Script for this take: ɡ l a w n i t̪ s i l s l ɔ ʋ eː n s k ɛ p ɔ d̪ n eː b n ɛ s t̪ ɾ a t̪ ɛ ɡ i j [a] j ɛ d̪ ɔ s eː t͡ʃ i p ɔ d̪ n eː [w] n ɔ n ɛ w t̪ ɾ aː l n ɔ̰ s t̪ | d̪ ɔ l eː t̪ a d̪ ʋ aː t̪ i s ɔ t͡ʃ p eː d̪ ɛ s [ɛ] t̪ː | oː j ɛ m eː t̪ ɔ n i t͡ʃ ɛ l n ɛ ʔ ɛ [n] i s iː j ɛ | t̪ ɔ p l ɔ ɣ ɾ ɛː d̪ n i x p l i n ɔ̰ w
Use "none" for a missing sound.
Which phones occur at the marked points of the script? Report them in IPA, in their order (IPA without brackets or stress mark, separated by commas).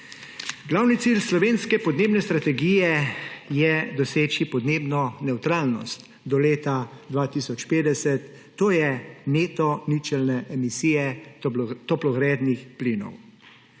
ɛ, b, ɛ, m